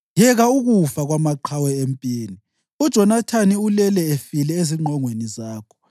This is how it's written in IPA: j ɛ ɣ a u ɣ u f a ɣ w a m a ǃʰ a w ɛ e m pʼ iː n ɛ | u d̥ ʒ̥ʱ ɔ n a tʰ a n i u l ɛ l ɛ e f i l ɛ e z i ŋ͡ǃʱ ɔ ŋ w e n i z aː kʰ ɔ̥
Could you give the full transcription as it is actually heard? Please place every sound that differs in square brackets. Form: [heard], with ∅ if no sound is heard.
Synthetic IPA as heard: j ɛ ɣ a u ɣ u f a ɣ w a m a ǃʰ a w ɛ e m pʼ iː n [i] | u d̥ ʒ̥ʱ ɔ n a tʰ a n i u l ɛ l ɛ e f i l ɛ e z i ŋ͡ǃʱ ɔ ŋ w e n i z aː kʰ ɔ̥